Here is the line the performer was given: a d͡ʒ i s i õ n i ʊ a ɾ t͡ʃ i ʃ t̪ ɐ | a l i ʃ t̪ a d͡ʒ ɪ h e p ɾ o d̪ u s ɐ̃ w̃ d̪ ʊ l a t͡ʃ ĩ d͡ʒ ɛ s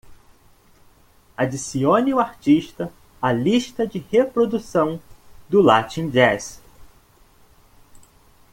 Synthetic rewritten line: a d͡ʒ i s i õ n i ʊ a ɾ t͡ʃ i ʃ t̪ ɐ | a l i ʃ t̪ ɐ d͡ʒ ɪ h e p ɾ o d̪ u s ɐ̃ w̃ d̪ ʊ l a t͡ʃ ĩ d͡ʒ ɛ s